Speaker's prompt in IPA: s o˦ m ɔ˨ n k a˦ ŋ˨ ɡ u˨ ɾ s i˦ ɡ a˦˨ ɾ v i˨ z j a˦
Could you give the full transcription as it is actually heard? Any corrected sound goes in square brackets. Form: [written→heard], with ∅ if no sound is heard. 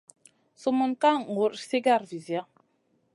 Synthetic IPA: s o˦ m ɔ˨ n k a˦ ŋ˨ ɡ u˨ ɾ s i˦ ɡ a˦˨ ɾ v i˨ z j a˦